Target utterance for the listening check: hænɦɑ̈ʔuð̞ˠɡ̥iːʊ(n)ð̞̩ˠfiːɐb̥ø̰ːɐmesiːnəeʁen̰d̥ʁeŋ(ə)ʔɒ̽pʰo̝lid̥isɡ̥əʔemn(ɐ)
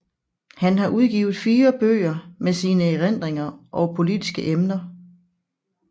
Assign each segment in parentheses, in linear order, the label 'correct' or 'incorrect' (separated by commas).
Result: incorrect, incorrect, correct